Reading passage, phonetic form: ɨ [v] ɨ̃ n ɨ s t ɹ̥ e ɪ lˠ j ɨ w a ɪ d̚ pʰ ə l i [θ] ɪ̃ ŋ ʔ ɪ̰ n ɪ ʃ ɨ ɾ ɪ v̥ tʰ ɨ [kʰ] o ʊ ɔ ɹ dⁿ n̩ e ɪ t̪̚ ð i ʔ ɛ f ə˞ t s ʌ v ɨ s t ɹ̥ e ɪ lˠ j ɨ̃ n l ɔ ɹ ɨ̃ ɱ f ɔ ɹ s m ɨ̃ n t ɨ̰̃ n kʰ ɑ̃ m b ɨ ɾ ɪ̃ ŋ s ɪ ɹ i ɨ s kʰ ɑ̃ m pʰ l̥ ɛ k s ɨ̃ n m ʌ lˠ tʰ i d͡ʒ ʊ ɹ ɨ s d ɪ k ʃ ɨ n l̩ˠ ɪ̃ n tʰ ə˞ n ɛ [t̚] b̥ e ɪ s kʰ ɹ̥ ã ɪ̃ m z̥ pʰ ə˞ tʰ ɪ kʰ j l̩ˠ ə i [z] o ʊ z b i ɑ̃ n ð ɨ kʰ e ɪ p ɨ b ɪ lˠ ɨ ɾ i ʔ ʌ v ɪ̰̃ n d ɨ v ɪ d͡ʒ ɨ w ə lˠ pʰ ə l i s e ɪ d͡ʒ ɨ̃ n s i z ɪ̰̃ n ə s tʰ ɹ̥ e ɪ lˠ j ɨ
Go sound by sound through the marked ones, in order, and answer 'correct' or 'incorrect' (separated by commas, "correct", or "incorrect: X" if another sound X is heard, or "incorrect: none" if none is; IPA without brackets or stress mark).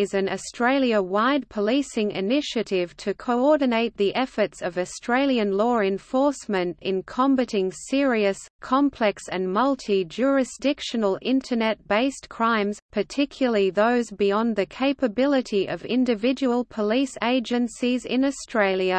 incorrect: z, incorrect: s, correct, correct, incorrect: ð